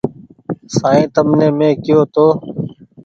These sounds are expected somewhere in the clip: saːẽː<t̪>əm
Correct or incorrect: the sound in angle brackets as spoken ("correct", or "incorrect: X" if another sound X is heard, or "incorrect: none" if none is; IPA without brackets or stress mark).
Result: correct